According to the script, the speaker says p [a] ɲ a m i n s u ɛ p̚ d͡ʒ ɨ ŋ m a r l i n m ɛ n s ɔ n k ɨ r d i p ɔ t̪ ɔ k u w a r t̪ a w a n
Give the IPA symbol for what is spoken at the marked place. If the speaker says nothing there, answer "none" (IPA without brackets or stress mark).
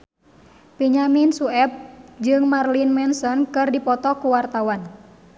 i